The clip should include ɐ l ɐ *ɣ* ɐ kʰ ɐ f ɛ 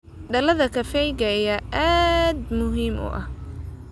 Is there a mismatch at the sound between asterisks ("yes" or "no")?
yes